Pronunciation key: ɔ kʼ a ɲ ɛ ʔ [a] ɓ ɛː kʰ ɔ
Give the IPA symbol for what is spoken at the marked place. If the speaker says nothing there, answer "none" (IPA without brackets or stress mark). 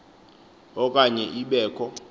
i